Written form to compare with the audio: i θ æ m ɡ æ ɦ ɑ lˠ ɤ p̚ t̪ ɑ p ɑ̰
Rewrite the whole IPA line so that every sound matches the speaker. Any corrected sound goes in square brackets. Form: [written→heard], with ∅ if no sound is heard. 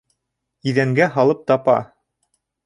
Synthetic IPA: i [θ→ð] æ [m→ŋ] ɡ æ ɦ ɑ lˠ ɤ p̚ t̪ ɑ p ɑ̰

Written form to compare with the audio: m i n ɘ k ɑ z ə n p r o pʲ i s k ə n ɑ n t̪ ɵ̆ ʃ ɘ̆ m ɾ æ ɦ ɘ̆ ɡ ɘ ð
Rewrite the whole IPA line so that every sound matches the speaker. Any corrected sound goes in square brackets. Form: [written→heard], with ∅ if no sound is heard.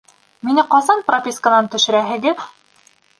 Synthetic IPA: m i n ɘ [k→q] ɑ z [ə→ɑ] n p r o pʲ i s k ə n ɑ n t̪ ɵ̆ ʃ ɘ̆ [m→∅] ɾ æ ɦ ɘ̆ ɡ ɘ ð

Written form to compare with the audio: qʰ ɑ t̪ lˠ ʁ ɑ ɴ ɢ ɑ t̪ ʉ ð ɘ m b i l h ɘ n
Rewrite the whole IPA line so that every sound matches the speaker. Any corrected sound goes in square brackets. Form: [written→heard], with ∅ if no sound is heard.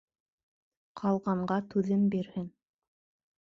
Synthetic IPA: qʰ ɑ [t̪→∅] lˠ ʁ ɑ ɴ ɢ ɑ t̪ ʉ ð ɘ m b i [l→ɾ] h ɘ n

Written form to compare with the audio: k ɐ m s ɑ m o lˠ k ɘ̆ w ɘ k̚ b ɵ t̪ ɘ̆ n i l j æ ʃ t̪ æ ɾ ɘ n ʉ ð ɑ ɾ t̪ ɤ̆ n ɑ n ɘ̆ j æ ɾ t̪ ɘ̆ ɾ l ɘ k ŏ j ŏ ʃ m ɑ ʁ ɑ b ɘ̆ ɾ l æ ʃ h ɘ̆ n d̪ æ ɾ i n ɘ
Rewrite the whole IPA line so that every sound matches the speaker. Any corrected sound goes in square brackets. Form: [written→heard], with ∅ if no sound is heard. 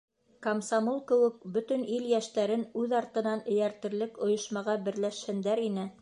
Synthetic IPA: k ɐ m s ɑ m o lˠ k ɘ̆ w ɘ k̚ b ɵ t̪ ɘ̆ n i l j æ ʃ t̪ æ ɾ ɘ n ʉ ð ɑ ɾ t̪ ɤ̆ n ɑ n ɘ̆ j æ ɾ t̪ ɘ̆ ɾ l ɘ k ŏ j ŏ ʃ m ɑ ʁ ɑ b ɘ̆ ɾ l æ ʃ h ɘ̆ n d̪ æ ɾ i n ɘ

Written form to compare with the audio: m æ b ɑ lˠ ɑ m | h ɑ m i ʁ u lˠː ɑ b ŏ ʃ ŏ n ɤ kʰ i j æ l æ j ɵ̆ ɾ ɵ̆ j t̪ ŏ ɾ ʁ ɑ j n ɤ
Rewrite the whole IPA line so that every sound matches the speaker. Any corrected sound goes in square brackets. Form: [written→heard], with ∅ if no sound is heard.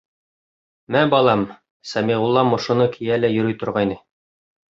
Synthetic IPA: m æ b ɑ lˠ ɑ m | [h→s] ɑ m i ʁ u lˠː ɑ [b→m] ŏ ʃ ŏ n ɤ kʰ i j æ l æ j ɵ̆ ɾ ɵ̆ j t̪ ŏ ɾ ʁ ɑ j n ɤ

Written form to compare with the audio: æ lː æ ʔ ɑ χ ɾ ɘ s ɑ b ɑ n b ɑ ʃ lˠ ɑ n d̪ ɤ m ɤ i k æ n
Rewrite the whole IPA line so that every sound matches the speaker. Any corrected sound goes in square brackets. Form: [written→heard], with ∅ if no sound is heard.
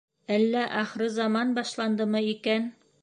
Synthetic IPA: æ lː æ ʔ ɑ χ ɾ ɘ [s→z] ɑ [b→m] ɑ n b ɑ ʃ lˠ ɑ n d̪ ɤ m ɤ i k æ n

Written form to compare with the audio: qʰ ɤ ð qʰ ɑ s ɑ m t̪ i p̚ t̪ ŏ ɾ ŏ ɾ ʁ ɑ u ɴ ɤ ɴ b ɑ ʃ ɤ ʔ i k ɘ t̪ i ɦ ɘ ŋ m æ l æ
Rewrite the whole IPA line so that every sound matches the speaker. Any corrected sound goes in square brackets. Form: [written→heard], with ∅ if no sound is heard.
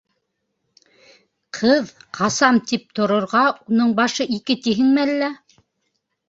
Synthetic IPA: qʰ ɤ ð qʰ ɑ s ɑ m t̪ i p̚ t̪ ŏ ɾ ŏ ɾ ʁ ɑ u [ɴ→n] ɤ ɴ b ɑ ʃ ɤ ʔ i k ɘ t̪ i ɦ ɘ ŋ m æ [l→lː] æ

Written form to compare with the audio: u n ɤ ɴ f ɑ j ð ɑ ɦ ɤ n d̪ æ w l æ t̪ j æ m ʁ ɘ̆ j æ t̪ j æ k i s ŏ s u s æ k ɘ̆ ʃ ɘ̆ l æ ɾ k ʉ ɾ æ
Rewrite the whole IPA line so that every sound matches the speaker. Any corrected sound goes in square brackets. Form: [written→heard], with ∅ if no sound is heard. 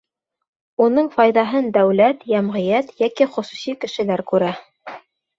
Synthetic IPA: u n ɤ ɴ f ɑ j ð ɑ ɦ ɤ n d̪ æ w l æ t̪ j æ m ʁ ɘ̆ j æ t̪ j æ k i [s→χ] ŏ s u s [æ→i] k ɘ̆ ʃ ɘ̆ l æ ɾ k ʉ ɾ æ

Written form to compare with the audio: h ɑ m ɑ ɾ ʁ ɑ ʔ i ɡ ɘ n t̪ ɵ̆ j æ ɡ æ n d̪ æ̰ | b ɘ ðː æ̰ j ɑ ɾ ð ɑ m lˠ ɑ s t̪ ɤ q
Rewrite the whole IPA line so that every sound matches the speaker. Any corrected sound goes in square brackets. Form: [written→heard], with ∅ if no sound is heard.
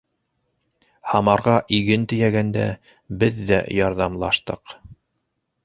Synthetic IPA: h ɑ m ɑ ɾ ʁ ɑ ʔ i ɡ ɘ n t̪ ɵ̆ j æ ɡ æ n d̪ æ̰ | b ɘ ðː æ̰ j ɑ ɾ ð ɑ m lˠ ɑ [s→ʃ] t̪ ɤ q

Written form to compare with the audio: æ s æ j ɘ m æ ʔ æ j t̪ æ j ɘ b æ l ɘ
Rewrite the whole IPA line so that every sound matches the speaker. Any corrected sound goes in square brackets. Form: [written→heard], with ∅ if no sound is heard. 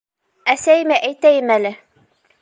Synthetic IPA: æ s æ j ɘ m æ ʔ æ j t̪ æ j ɘ [b→m] æ l ɘ

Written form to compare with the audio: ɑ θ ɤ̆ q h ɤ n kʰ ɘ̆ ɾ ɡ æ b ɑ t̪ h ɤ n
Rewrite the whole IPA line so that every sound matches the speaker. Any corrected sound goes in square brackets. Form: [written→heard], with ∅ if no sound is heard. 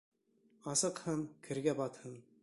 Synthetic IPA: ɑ [θ→s] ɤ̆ q h ɤ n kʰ ɘ̆ ɾ ɡ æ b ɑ t̪ h ɤ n

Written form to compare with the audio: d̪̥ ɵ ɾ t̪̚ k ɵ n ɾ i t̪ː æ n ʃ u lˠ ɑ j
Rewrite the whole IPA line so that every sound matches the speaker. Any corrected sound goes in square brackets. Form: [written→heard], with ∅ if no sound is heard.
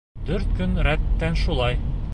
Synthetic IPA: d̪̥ ɵ ɾ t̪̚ k ɵ n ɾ [i→æ] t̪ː æ n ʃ u lˠ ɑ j

